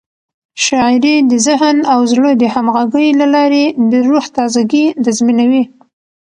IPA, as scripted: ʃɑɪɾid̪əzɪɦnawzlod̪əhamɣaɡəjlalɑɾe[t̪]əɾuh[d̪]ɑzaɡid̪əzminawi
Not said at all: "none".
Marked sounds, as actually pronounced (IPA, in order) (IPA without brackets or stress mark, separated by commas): d̪, t̪